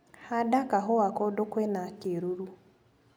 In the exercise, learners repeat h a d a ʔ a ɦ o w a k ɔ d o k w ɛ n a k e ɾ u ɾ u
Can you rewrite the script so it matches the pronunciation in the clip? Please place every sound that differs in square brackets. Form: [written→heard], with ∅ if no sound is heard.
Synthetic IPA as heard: h a d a [ʔ→k] a ɦ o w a k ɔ d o k w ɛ n a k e ɾ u ɾ u